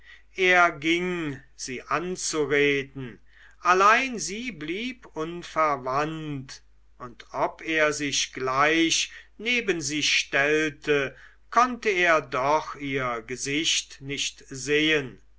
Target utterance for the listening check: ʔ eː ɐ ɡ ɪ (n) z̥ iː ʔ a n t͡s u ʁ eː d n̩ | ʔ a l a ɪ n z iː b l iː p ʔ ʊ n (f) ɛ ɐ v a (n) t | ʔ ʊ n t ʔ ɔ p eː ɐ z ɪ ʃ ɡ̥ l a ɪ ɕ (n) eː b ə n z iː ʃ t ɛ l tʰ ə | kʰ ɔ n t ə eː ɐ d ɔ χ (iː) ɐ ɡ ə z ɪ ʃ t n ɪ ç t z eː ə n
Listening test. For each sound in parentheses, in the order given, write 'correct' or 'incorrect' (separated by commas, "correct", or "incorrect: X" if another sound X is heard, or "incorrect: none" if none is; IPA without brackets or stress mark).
incorrect: ŋ, correct, correct, correct, correct